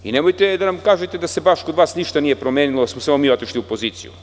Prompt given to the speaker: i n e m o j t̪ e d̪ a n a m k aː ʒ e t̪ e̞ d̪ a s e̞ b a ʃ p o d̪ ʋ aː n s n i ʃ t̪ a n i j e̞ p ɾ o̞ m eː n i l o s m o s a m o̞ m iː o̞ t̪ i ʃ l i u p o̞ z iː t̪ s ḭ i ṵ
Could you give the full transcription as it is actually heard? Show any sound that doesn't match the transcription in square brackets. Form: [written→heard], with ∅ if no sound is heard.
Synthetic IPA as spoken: i n e m o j t̪ e d̪ a n a m k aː ʒ e t̪ e̞ d̪ a s e̞ b a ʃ [p→k] o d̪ ʋ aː [n→∅] s n i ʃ t̪ a n i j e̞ p ɾ o̞ m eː n i l o s m o s a m o̞ m iː o̞ t̪ i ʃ l i u p o̞ z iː t̪ s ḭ [i→j] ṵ